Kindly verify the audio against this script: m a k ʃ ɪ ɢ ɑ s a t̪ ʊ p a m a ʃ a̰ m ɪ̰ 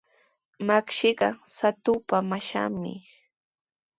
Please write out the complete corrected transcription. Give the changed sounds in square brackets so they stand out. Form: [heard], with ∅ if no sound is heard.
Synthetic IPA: m a k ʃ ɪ ɢ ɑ s a t̪ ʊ p a m a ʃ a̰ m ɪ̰